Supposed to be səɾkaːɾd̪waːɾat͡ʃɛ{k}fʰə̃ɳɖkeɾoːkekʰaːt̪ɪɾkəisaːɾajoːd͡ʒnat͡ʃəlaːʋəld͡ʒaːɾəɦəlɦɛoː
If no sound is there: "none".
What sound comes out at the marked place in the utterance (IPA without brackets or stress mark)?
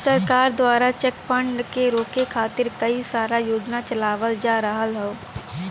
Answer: k